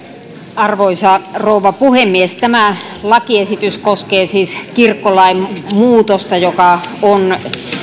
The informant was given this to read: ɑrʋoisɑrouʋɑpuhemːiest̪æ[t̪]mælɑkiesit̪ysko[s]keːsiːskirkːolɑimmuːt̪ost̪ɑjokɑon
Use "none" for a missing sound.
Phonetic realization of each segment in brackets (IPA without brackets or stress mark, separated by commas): none, s